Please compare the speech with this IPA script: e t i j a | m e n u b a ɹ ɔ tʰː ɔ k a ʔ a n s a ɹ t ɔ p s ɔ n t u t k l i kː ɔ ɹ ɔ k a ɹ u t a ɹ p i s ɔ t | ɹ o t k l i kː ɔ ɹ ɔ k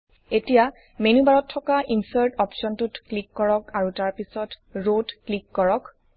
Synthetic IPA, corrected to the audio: e t i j a | m e n u b a ɹ ɔ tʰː ɔ k a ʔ i n s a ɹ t ɔ p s ɔ n t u t k l i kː ɔ ɹ ɔ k a ɹ u t a ɹ p i s ɔ t | ɹ o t k l i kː ɔ ɹ ɔ k